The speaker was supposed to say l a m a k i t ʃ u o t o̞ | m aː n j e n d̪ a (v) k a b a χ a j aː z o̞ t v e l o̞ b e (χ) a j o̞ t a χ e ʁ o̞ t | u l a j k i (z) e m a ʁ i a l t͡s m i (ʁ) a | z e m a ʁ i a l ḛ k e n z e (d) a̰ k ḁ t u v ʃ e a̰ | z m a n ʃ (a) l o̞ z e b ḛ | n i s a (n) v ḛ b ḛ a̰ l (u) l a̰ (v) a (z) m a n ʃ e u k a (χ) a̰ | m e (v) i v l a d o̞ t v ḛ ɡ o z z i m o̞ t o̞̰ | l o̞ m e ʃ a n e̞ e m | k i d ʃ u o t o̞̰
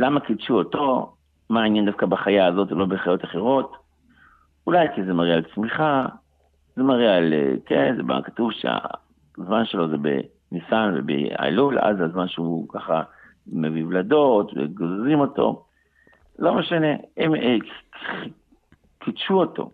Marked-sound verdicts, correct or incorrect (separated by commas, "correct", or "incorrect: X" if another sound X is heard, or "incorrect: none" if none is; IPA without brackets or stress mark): incorrect: f, correct, correct, incorrect: χ, incorrect: b, incorrect: e, correct, correct, incorrect: z, correct, correct, correct